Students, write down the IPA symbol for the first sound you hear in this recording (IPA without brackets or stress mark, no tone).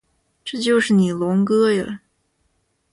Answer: ʈ͡ʂ